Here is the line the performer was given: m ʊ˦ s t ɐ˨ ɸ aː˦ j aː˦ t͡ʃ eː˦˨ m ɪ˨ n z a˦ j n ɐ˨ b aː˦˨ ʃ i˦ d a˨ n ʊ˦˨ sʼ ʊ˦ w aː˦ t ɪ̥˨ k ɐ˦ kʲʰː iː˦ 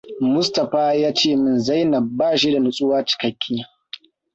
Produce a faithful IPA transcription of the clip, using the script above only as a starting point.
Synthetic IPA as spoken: m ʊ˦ s t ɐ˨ ɸ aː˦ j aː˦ t͡ʃ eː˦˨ m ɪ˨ n z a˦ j n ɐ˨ b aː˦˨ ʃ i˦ d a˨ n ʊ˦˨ sʼ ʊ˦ w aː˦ t͡ʃ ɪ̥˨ k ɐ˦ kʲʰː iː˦